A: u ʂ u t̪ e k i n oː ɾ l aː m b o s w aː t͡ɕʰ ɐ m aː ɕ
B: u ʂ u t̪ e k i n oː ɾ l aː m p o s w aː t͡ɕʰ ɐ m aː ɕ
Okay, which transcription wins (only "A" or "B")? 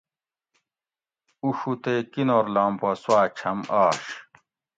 B